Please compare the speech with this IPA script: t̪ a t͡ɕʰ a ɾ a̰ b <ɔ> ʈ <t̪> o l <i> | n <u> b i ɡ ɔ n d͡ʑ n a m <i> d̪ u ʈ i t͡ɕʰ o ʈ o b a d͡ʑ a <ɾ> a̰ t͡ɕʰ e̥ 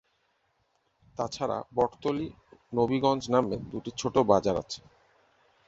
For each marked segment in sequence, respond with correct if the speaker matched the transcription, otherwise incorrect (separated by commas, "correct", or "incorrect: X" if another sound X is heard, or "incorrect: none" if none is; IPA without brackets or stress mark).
correct, correct, correct, incorrect: o, incorrect: e, correct